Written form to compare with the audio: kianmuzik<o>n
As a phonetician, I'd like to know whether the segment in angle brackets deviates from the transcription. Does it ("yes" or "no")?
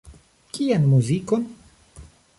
no